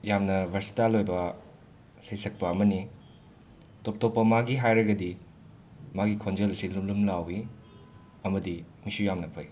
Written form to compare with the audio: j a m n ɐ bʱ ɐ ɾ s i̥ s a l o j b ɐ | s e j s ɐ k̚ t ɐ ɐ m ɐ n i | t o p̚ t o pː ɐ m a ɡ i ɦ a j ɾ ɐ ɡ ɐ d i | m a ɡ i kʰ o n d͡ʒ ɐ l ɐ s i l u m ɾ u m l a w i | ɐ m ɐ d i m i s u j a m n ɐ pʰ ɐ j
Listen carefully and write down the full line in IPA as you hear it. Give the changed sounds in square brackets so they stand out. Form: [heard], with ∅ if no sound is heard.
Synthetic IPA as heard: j a m n ɐ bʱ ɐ ɾ s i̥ [t] a l o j b ɐ | s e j s ɐ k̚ [p] ɐ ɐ m ɐ n i | t o p̚ t o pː ɐ m a ɡ i ɦ a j ɾ ɐ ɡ ɐ d i | m a ɡ i kʰ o n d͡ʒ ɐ l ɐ s i l u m [l] u m l a w i | ɐ m ɐ d i m i s u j a m n ɐ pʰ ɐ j